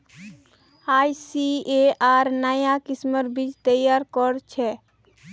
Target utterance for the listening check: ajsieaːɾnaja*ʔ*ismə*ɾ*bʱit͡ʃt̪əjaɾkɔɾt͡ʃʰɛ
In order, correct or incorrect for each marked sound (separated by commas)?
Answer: incorrect, correct